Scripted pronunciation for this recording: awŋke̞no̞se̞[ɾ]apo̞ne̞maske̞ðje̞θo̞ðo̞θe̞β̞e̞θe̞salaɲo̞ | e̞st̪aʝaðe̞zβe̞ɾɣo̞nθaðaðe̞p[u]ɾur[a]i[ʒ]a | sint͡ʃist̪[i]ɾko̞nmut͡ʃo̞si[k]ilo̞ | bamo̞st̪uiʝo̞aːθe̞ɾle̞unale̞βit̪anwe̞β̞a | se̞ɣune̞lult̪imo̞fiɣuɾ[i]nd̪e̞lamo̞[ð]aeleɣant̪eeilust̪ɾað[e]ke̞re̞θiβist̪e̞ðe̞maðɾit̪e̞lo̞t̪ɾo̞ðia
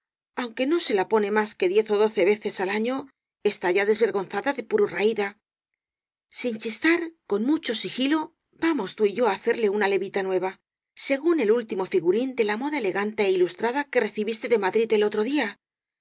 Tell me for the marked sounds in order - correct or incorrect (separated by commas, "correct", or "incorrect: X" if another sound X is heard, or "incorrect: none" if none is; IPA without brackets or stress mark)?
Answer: incorrect: l, correct, correct, incorrect: ð, incorrect: a, incorrect: x, correct, correct, incorrect: a